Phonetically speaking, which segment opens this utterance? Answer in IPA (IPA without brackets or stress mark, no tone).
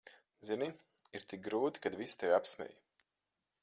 z